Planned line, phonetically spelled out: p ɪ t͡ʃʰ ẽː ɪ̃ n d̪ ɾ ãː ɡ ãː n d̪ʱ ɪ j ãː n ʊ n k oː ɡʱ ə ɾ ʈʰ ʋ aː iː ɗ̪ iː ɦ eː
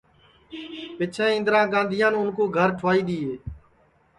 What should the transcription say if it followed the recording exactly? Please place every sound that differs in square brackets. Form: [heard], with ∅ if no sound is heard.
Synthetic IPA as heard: p ɪ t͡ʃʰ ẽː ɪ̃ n d̪ ɾ ãː ɡ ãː n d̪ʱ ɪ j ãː n ʊ n k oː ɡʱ ə ɾ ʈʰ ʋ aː iː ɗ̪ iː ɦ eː

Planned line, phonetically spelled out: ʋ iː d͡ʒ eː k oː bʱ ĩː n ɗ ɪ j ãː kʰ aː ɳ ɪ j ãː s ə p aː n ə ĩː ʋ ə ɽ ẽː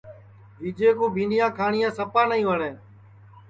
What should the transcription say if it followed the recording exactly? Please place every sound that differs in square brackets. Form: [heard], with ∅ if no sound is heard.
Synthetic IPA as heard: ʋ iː d͡ʒ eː k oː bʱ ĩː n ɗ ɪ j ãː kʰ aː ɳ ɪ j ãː s ə p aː n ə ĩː ʋ ə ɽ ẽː

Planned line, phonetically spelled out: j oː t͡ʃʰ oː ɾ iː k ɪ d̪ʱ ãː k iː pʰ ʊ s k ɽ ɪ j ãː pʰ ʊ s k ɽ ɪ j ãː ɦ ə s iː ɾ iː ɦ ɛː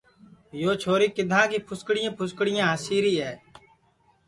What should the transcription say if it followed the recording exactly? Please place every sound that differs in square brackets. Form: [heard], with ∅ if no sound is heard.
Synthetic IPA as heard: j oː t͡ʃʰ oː ɾ iː k ɪ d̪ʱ ãː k iː pʰ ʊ s k ɽ ɪ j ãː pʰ ʊ s k ɽ ɪ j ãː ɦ ə s iː ɾ iː ɦ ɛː

